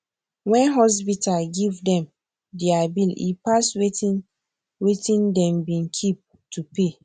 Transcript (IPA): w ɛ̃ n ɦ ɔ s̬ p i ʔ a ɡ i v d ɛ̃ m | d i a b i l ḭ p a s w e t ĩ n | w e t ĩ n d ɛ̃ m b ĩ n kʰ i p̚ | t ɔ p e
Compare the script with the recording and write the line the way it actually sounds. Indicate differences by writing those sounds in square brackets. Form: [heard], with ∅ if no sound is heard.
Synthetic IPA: w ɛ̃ n ɦ ɔ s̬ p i [t] a ɡ i v d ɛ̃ m | d i a b i l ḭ p a s w e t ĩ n | w e t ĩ n d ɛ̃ m b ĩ n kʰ i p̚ | t [u] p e